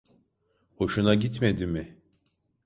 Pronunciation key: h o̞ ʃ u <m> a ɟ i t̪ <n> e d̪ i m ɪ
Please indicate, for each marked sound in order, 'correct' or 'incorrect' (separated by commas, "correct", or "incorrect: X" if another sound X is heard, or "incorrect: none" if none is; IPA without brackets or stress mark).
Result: incorrect: n, incorrect: m